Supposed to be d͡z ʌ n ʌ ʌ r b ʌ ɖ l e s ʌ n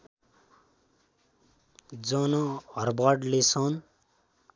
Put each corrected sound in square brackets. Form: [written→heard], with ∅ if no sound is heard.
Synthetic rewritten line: d͡z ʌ n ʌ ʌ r b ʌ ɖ l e s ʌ n